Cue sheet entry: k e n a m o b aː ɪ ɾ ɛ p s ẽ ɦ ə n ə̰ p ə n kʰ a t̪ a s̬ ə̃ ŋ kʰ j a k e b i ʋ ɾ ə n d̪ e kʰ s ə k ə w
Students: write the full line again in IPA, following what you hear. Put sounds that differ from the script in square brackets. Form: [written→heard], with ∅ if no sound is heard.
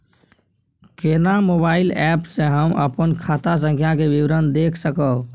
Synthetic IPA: k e n a m o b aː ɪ [ɾ→l] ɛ p s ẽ ɦ ə [n→m] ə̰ p ə n kʰ a t̪ a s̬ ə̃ ŋ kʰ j a k e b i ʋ ɾ ə n d̪ e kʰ s ə k ə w

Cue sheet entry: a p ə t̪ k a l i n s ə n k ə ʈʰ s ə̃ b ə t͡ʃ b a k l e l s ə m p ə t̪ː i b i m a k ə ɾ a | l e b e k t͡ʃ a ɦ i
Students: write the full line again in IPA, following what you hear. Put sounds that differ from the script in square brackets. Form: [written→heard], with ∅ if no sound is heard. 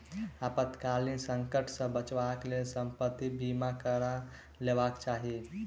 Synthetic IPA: a p ə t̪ k a l i n s ə [n→ŋ] k ə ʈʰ s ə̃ b ə t͡ʃ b a k l e l s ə m p ə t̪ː i b i m a k ə ɾ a | l e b [e→a] k t͡ʃ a ɦ i

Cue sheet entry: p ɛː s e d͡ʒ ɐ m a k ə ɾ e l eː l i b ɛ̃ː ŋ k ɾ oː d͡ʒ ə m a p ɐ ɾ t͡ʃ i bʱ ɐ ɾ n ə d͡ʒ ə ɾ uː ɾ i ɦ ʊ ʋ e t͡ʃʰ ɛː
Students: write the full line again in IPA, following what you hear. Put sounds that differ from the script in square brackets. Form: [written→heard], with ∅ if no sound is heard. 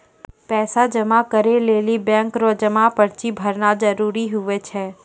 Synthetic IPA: p ɛː s [e→a] d͡ʒ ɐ m a k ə ɾ e l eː l i b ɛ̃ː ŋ k ɾ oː d͡ʒ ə m a p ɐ ɾ t͡ʃ i bʱ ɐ ɾ n [ə→a] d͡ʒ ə ɾ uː ɾ i ɦ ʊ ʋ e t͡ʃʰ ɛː

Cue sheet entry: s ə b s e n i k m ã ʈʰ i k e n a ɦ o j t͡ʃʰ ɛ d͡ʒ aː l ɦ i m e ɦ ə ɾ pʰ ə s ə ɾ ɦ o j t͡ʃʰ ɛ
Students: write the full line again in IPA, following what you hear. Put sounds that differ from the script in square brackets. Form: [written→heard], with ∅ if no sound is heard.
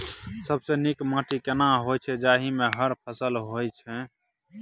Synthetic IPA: s ə b s e n i k m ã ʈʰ i k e n a ɦ o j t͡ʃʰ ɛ d͡ʒ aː [l→∅] ɦ i m e ɦ ə ɾ pʰ ə s ə [ɾ→l] ɦ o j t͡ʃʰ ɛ

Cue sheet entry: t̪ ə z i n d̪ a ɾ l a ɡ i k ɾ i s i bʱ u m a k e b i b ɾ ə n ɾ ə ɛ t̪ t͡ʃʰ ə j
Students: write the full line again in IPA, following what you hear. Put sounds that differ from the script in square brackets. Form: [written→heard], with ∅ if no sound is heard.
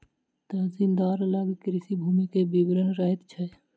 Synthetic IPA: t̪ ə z i n d̪ a ɾ l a ɡ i k ɾ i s i bʱ u m [a→i] k e b i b ɾ ə n ɾ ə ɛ t̪ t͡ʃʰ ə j

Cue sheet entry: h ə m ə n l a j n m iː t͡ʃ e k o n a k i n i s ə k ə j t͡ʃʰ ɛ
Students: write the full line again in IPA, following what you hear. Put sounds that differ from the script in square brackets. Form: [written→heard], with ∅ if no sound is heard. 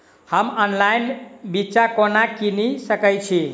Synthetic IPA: h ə m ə n l a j n [m→b] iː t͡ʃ [e→a] k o n a k i n i s ə k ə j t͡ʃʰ [ɛ→i]

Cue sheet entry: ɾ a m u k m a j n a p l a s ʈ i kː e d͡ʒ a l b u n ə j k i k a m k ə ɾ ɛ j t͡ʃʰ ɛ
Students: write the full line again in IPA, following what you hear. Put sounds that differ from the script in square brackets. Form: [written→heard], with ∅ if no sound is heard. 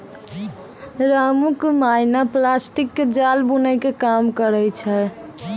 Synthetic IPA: ɾ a m u k m a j n a p l a s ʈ i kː e d͡ʒ a l b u n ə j k [i→e] k a m k ə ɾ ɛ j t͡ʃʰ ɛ

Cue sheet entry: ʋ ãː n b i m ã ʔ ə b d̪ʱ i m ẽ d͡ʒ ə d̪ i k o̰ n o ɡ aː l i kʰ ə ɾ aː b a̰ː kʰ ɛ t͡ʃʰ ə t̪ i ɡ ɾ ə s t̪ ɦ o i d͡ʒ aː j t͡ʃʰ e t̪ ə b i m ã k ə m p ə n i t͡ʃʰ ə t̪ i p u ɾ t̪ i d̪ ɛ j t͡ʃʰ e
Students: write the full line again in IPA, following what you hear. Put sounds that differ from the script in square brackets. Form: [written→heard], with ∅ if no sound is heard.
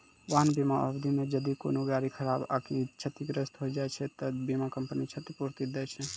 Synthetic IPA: ʋ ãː n b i m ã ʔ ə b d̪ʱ i m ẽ d͡ʒ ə d̪ i k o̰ n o ɡ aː [l→ɾ] i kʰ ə ɾ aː b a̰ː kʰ [ɛ→i] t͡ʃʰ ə t̪ i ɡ ɾ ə s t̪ ɦ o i d͡ʒ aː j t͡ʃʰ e t̪ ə b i m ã k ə m p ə n i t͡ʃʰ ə t̪ i p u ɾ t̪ i d̪ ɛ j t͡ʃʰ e

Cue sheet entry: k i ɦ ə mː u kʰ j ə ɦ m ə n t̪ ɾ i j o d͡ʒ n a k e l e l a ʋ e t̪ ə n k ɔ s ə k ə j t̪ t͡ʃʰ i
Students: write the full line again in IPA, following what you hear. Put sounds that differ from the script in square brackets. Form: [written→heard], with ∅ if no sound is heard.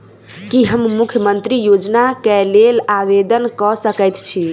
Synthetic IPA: k i ɦ ə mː u kʰ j ə [ɦ→∅] m ə n t̪ ɾ i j o d͡ʒ n a k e l e l a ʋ e [t̪→d̪] ə n k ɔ s ə k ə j t̪ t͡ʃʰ i

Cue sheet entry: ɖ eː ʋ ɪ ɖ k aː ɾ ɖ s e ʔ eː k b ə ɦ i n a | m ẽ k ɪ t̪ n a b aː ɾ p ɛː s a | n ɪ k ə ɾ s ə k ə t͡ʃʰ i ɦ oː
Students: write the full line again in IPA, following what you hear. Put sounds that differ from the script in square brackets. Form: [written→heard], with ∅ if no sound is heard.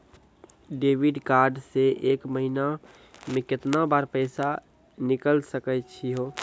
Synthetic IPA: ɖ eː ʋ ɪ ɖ k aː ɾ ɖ s e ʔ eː k [b→m] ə ɦ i n a | m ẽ k ɪ t̪ n a b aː ɾ p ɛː s a | n ɪ k ə [ɾ→l] s ə k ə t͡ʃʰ i ɦ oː

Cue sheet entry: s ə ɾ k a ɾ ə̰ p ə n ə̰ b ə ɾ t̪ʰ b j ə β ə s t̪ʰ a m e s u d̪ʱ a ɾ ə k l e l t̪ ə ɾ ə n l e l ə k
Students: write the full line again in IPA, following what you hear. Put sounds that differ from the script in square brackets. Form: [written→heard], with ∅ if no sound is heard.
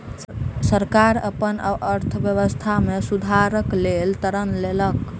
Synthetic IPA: s ə ɾ k a ɾ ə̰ p ə n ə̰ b ə ɾ t̪ʰ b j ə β ə s t̪ʰ a m e s u d̪ʱ a ɾ ə k l e l t̪ ə ɾ ə n l e l ə k

